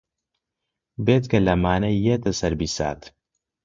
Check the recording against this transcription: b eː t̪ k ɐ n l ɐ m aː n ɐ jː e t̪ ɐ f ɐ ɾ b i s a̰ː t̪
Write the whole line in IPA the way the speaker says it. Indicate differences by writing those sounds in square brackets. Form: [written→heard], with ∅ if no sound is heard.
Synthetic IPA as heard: b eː t̪ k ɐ [n→∅] l ɐ m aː n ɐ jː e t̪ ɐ [f→s] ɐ ɾ b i s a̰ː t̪